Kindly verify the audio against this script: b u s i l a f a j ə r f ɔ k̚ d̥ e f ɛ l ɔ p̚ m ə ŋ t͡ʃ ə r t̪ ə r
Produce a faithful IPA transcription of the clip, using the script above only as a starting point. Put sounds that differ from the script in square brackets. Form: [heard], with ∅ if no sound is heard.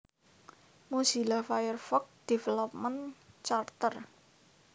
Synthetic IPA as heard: [m] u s i l a f a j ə r f ɔ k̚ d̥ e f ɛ l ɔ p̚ m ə [n] t͡ʃ [a] r t̪ ə r

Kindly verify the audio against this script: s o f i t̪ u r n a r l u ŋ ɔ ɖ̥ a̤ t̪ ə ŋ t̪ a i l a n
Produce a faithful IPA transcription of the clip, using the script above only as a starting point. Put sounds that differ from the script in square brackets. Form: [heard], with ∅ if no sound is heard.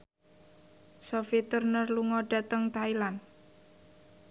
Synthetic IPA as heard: s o f i t̪ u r n [ə] r l u ŋ ɔ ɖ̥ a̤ t̪ ə ŋ t̪ a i l a n

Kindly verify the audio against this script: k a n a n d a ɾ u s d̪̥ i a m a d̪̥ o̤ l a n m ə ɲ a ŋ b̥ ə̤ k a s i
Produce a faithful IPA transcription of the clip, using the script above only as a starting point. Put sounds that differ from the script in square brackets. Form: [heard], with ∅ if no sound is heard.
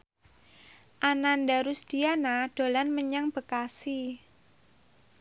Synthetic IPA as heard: [ʔ] a n a n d a ɾ u s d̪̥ i a [n] a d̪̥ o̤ l a n m ə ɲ a ŋ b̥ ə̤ k a s i

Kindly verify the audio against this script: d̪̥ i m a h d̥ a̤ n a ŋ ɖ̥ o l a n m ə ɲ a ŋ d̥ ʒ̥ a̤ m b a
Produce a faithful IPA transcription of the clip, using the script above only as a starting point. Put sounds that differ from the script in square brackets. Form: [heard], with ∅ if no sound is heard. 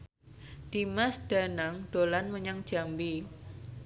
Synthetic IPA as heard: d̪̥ i m a [s] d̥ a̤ n a ŋ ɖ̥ o l a n m ə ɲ a ŋ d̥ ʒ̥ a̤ m b [i]

